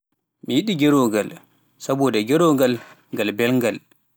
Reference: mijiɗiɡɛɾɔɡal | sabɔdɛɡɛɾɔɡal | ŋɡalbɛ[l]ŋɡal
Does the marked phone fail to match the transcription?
no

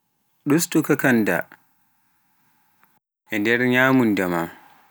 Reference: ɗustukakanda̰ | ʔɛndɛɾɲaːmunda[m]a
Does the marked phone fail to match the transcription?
no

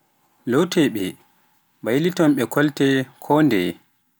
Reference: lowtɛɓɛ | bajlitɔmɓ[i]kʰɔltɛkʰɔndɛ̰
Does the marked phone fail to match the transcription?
yes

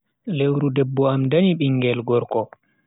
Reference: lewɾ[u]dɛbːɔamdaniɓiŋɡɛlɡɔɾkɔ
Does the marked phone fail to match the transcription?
no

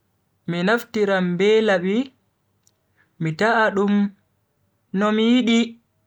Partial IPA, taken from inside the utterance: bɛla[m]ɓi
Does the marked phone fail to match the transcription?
yes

